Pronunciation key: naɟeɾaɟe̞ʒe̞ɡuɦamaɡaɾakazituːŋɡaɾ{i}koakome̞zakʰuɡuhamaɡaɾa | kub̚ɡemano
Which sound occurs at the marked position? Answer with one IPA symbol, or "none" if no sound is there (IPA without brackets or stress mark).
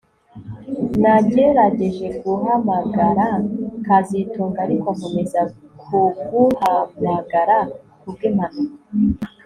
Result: i